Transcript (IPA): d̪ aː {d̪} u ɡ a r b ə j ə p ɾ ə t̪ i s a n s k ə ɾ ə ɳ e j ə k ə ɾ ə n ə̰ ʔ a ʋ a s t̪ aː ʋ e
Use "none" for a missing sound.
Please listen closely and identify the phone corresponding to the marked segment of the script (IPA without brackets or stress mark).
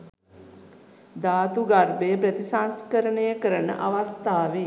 t̪